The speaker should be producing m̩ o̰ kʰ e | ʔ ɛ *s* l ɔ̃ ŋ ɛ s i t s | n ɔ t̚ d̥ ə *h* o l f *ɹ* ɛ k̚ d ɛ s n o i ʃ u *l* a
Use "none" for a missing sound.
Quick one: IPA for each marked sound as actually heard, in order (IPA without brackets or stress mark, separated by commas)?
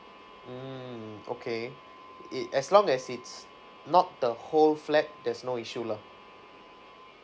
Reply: s, h, l, l